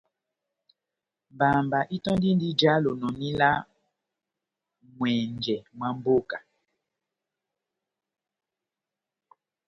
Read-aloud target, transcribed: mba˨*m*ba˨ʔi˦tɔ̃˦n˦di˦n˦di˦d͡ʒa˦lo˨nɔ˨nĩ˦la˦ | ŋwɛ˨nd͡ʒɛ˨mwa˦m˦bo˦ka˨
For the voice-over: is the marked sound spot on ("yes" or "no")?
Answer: yes